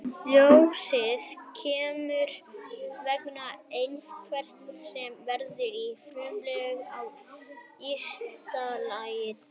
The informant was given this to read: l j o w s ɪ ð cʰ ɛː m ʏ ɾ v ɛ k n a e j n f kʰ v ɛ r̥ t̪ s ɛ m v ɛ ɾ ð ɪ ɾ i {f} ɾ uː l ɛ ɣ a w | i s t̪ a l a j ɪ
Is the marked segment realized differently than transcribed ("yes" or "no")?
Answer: no